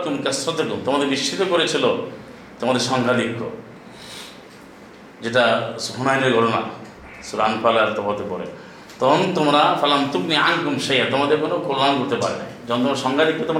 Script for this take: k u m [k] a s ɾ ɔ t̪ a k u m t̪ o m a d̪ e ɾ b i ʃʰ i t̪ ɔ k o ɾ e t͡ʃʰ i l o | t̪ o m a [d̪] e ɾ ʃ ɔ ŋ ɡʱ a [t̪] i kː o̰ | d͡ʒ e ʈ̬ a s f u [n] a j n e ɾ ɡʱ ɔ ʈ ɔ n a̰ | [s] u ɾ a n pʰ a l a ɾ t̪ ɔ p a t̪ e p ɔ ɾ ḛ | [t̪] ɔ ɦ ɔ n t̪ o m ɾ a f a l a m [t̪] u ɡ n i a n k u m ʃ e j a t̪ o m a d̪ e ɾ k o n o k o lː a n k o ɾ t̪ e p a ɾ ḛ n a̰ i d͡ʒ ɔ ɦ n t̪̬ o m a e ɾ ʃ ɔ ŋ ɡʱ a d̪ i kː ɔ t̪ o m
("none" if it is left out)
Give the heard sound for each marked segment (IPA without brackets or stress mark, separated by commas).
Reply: k, d̪, d̪, n, s, t̪, t̪